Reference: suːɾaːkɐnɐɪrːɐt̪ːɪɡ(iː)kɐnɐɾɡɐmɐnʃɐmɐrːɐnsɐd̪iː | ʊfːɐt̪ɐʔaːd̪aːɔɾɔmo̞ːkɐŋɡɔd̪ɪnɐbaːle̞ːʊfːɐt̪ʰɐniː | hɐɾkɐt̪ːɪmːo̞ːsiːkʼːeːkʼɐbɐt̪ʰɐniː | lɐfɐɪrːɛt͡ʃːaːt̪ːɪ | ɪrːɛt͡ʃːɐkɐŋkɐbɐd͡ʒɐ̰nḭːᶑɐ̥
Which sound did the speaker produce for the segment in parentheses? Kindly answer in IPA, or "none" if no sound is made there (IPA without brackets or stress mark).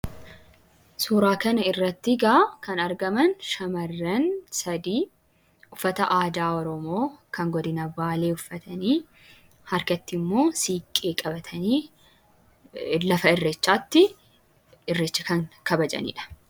aː